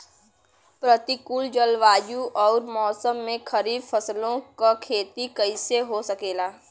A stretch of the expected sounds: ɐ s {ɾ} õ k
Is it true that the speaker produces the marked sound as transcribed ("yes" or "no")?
no